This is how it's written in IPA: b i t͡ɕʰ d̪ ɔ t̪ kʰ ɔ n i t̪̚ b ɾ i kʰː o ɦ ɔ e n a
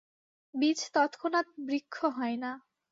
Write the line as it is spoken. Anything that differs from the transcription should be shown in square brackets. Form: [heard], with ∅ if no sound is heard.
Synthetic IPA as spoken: b i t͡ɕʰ [t̪] ɔ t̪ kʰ [o] n [a] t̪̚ b ɾ i kʰː o ɦ ɔ e n a

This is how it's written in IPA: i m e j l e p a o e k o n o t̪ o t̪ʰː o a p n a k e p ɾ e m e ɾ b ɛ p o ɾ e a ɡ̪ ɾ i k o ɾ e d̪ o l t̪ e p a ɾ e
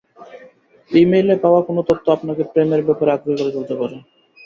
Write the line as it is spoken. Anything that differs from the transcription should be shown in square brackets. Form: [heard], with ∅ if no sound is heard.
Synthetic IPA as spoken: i m e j l e p a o [a] k o n o t̪ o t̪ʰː o a p n a k e p ɾ e m e ɾ b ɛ p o ɾ e a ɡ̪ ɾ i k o ɾ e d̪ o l t̪ e p a ɾ e

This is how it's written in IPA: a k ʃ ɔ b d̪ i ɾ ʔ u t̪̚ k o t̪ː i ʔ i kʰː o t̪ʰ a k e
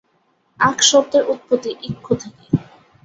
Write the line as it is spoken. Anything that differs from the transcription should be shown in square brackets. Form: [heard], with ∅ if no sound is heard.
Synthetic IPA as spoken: a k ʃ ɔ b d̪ [e] ɾ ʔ u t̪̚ [p] o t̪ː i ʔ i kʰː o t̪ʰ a k e

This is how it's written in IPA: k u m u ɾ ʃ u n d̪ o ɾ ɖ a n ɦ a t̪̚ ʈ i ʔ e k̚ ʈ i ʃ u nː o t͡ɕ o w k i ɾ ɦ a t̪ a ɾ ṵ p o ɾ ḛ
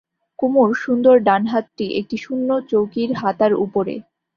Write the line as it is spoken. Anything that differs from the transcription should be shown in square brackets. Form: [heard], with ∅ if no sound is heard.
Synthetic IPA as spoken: k u m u ɾ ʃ u n d̪ o ɾ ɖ a n ɦ a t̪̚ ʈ i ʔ e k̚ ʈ i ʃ u nː o t͡ɕ o w k i ɾ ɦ a t̪ a ɾ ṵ p o ɾ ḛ

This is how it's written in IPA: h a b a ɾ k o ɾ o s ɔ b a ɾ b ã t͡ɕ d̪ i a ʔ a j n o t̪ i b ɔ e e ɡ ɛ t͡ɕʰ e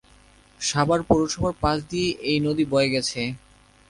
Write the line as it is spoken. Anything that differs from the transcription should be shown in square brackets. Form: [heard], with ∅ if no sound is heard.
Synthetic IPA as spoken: [ʃ] a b a ɾ [p] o ɾ o [ʃ] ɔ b a ɾ [p] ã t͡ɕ d̪ i [e] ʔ [e] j n o [d̪] i b ɔ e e ɡ ɛ t͡ɕʰ e

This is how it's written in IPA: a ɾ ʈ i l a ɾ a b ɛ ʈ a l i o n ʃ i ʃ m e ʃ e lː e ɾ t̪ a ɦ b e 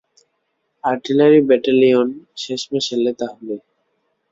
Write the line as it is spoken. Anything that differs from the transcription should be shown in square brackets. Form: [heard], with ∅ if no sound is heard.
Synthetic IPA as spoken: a ɾ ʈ i l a ɾ [i] b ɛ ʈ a l i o n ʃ [e] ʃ m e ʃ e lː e [∅] t̪ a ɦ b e

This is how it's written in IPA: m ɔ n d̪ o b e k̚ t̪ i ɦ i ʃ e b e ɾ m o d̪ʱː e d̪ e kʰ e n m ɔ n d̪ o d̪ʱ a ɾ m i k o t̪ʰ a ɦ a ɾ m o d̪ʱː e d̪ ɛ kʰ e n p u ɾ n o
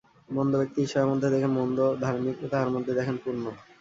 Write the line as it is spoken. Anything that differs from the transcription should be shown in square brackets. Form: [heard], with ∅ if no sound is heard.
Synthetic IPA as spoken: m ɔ n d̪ o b e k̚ t̪ i ɦ i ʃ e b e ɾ m o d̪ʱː e d̪ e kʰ e n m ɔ n d̪ o d̪ʱ a ɾ m i k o [t̪] a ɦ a ɾ m o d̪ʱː e d̪ ɛ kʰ e n p u ɾ n o

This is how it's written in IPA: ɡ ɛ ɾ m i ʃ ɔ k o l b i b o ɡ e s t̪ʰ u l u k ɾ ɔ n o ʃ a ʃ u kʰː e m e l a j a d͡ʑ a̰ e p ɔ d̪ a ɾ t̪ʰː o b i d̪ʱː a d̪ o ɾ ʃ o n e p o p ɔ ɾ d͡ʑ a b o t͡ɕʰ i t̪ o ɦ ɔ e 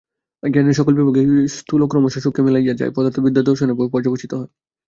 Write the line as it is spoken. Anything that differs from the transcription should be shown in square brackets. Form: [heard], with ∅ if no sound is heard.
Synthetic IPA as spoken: ɡ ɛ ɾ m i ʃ ɔ k o l b i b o ɡ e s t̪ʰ u l [o] k ɾ ɔ [m] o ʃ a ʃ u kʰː e m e l a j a d͡ʑ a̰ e p ɔ d̪ a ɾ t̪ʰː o b i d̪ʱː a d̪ o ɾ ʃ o n e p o p ɔ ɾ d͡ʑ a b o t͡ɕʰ i t̪ o ɦ ɔ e

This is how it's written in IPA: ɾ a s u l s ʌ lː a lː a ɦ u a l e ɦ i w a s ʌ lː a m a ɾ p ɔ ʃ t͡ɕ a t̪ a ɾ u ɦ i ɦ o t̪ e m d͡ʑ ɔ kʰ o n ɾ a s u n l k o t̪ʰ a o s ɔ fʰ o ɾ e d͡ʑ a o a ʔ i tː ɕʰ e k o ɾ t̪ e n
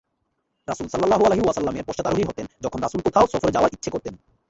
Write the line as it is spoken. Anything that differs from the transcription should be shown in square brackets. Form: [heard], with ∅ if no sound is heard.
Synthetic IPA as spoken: ɾ a s u l s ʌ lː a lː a ɦ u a l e ɦ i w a s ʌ lː a m [e] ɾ p ɔ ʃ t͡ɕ a t̪ a ɾ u ɦ i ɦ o t̪ e [n] d͡ʑ ɔ kʰ o n ɾ a s u [∅] l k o t̪ʰ a o s ɔ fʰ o ɾ e d͡ʑ a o a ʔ i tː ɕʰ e k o ɾ t̪ e n

